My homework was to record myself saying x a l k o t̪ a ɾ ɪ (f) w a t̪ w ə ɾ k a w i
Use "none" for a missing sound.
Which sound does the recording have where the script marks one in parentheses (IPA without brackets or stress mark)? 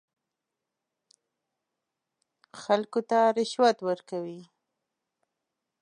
ʃ